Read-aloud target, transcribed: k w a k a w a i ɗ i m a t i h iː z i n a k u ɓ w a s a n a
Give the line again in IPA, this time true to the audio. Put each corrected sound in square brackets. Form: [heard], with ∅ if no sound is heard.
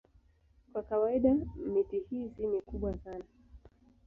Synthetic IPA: k w a k a w a i ɗ [a] m [i] t i h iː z i n [i] k u ɓ w a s a n a